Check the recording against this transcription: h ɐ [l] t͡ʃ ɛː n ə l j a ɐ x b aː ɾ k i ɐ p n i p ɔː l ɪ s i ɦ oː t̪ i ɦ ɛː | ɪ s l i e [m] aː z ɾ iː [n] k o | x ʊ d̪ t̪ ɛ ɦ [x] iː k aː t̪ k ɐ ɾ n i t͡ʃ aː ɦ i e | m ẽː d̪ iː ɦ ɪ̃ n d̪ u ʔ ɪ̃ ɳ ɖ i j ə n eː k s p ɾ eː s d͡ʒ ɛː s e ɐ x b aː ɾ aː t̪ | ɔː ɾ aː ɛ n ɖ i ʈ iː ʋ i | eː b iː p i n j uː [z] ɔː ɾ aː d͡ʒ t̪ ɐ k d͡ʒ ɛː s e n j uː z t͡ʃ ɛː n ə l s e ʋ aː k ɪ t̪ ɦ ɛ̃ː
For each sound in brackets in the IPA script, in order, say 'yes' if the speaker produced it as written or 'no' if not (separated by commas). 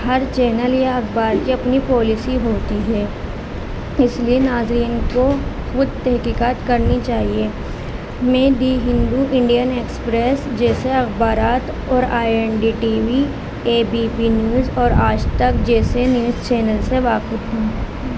no, no, yes, no, yes